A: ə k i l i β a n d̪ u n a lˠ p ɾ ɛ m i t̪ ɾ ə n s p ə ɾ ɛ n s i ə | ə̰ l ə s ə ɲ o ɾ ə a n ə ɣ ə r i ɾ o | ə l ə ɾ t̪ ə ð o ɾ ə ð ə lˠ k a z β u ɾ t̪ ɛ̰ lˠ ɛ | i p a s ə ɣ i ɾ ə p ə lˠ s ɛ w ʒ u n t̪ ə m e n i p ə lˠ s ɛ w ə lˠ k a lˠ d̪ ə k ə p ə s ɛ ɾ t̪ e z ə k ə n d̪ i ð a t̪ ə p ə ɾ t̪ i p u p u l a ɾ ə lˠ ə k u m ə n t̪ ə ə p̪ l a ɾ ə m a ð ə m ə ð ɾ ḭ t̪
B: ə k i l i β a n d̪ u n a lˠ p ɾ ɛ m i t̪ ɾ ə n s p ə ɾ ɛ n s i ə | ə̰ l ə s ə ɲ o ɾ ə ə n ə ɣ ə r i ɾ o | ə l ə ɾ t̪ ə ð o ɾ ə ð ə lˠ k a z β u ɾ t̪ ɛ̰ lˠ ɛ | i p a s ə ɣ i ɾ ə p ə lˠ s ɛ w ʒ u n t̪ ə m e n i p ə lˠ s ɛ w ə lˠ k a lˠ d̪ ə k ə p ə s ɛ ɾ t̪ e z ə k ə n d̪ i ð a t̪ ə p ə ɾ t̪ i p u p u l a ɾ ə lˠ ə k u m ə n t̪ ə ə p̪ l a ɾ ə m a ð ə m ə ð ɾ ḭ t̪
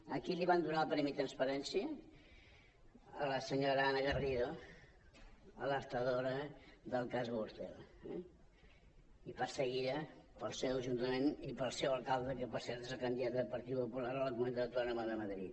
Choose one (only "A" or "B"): A